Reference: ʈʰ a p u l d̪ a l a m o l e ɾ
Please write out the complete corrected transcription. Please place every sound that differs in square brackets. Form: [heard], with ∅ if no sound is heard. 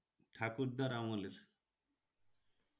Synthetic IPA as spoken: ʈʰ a [k] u [ɾ] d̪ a [ɾ] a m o l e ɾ